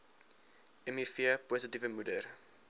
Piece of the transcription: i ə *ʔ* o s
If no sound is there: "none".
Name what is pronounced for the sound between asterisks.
p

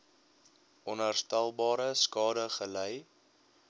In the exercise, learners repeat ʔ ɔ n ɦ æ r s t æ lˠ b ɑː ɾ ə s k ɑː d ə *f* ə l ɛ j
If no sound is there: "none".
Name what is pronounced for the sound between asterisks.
χ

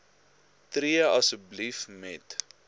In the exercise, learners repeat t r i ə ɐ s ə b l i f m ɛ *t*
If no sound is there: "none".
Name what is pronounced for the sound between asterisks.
t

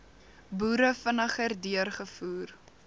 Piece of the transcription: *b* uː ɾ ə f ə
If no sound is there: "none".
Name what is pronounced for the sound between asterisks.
b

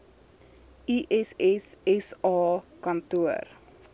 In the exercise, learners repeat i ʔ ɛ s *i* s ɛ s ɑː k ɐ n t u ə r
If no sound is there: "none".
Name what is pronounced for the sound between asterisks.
ɛ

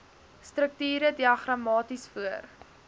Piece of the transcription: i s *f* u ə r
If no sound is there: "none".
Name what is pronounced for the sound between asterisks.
f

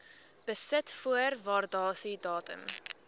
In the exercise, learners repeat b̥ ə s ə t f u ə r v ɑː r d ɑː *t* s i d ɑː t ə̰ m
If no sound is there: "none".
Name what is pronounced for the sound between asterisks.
none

